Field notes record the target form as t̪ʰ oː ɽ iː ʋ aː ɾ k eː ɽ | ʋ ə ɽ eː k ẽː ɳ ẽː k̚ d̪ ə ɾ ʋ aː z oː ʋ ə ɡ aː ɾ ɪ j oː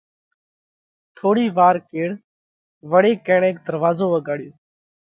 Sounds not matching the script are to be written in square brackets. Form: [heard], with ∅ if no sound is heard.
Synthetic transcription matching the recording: t̪ʰ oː ɽ iː ʋ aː ɾ k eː ɽ | ʋ ə ɽ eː k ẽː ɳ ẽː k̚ d̪ ə ɾ ʋ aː z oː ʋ ə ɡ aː [ɽ] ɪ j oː